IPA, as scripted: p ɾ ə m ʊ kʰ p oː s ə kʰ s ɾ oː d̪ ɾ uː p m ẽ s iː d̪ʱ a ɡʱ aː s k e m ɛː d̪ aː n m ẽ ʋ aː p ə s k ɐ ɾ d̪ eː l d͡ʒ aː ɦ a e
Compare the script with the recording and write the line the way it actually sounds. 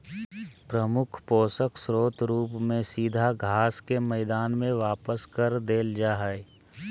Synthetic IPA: p ɾ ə m ʊ kʰ p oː s ə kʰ s ɾ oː t̪ ɾ uː p m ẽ s iː d̪ʱ a ɡʱ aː s k e m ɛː d̪ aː n m ẽ ʋ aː p ə s k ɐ ɾ d̪ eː l d͡ʒ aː ɦ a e